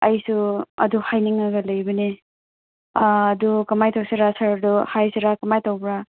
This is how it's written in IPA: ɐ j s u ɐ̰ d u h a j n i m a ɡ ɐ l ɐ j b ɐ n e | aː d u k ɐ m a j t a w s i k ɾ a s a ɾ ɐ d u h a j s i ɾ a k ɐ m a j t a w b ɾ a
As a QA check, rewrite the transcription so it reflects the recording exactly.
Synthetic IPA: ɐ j s u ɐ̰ d u h a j n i ŋ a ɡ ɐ l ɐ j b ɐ n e | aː d u k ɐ m a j t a w s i ɾ a s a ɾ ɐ d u h a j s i ɾ a k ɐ m a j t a w b ɾ a